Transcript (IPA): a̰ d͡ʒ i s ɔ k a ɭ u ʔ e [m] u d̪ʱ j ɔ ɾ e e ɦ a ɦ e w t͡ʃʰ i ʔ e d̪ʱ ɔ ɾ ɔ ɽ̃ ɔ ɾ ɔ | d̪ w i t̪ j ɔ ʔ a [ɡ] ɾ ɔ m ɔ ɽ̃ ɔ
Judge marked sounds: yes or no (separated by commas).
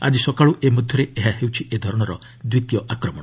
yes, no